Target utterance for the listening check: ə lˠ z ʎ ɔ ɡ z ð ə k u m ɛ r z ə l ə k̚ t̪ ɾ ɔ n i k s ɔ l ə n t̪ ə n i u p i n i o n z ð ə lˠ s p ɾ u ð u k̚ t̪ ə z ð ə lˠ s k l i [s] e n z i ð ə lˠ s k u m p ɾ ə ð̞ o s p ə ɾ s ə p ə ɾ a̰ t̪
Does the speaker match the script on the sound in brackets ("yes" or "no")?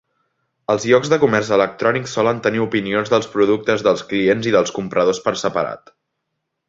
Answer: no